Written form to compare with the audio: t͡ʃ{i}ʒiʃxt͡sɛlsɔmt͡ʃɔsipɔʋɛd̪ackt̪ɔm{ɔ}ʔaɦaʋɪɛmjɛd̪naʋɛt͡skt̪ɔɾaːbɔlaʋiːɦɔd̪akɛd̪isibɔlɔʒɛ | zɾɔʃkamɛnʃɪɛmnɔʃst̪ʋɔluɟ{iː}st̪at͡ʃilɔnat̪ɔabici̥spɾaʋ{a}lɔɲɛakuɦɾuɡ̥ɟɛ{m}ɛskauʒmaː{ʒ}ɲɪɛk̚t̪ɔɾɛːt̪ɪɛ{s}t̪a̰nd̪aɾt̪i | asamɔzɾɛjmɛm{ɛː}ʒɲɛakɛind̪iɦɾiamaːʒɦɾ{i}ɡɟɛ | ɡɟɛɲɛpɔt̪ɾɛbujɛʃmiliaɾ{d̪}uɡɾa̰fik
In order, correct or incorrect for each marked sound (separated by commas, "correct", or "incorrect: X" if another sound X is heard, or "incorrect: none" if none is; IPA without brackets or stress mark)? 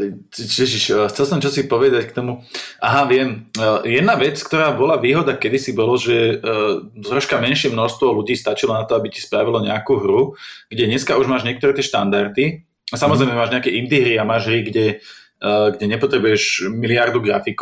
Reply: incorrect: ɛ, incorrect: u, correct, incorrect: i, incorrect: ɲ, correct, incorrect: ʃ, incorrect: aː, correct, correct